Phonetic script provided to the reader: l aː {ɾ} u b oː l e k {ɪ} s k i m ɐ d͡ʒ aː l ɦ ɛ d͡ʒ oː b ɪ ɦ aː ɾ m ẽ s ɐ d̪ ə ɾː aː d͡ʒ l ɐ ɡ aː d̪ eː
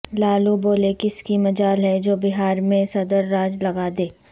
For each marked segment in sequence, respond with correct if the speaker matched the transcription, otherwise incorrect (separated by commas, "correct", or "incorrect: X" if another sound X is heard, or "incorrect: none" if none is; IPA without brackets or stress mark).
incorrect: l, correct